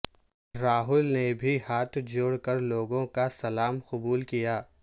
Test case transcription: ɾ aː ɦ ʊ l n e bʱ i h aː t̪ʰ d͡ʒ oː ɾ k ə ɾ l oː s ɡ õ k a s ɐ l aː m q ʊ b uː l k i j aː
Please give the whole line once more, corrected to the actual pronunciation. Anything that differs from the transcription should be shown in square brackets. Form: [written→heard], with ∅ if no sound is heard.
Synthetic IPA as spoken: ɾ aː ɦ ʊ l n e bʱ i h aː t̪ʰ d͡ʒ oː [ɾ→ɽ] k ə ɾ l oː [s→∅] ɡ õ k a s ɐ l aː m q ʊ b uː l k i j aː